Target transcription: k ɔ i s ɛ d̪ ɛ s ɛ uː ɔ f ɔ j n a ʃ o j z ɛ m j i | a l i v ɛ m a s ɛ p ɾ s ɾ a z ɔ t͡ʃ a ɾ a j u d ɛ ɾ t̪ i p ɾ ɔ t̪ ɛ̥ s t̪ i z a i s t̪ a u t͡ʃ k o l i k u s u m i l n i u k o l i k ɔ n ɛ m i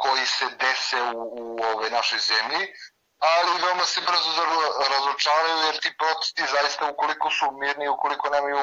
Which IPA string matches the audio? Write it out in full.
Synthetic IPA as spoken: k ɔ i s ɛ d̪ ɛ s ɛ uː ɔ v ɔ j n a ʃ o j z ɛ m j i | a l i v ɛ m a s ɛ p ɾ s ɾ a z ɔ t͡ʃ a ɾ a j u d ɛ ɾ t̪ i p ɾ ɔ t̪ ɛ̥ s t̪ i z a i s t̪ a u k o l i k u s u m i ɾ n i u k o l i k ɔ n ɛ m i